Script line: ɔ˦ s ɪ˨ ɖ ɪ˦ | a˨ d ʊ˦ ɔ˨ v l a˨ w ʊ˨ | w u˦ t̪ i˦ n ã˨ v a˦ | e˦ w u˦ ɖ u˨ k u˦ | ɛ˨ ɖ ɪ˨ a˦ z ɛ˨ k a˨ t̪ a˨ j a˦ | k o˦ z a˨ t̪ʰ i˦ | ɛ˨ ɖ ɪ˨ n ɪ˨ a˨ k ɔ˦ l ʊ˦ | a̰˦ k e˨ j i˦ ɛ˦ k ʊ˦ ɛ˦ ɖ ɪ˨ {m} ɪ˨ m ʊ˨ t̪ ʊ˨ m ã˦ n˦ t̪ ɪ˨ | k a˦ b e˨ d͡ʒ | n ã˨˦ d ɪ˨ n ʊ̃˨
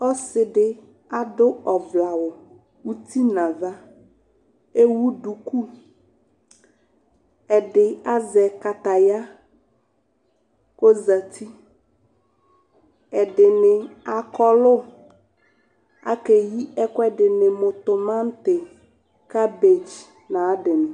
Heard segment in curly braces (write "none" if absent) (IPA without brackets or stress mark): n